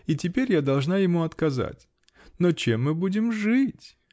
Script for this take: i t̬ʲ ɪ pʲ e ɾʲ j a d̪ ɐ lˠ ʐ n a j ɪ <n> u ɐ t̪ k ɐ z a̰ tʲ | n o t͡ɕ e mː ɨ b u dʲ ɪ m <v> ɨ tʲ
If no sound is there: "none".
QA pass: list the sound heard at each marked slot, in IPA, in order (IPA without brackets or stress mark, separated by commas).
m, ʐ